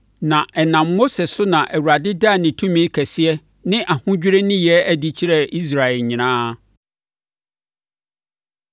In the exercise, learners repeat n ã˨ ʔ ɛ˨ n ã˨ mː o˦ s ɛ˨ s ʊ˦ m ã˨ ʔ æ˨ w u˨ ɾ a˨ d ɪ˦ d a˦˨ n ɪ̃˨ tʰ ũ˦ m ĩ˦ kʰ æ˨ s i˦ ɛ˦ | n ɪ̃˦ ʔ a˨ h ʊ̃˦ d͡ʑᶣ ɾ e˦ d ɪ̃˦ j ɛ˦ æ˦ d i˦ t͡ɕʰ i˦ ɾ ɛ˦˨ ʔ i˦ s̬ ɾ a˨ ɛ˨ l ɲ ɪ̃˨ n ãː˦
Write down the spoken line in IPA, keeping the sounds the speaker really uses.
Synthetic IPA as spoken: n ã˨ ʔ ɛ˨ n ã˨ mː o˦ s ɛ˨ s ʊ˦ n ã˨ ʔ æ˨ w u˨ ɾ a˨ d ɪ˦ d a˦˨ n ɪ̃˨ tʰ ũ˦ m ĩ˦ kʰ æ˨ s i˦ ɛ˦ | n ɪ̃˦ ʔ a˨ h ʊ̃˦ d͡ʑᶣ ɾ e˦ n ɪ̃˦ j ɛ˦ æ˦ d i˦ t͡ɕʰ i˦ ɾ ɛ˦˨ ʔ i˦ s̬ ɾ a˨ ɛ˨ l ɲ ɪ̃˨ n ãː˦